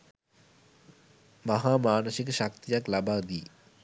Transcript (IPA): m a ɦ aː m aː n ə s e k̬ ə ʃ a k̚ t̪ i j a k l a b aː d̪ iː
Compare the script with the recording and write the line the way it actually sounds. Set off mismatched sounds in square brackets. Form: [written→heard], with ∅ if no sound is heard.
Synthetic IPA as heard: m a ɦ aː m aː n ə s [e→i] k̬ ə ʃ a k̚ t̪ i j a k l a b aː d̪ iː